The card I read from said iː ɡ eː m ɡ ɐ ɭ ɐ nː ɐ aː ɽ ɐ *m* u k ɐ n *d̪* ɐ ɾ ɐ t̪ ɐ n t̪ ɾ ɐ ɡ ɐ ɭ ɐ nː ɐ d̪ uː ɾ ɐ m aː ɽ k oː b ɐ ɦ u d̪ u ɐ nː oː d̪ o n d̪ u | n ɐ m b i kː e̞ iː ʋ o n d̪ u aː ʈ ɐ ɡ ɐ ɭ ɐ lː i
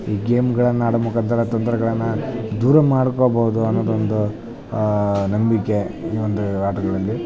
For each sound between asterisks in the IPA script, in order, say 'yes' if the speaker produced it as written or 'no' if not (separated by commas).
yes, no